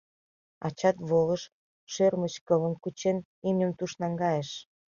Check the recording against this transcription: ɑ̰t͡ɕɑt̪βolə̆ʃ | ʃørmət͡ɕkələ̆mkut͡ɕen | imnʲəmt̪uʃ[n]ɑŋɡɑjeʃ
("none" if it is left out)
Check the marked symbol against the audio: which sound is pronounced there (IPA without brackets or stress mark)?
n